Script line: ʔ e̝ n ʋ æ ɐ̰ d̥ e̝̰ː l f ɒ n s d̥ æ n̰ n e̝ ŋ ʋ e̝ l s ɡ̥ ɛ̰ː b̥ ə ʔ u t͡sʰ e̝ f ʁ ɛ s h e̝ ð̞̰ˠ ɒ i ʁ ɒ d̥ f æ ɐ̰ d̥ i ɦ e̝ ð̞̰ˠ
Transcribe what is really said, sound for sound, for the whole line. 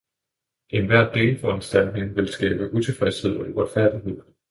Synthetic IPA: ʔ e̝ n ʋ æ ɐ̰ d̥ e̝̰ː l f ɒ n s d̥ æ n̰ n e̝ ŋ ʋ e̝ l s ɡ̥ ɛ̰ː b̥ ə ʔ u t͡sʰ e̝ f ʁ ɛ s h e̝ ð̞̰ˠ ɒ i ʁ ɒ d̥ f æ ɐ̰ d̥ i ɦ e̝ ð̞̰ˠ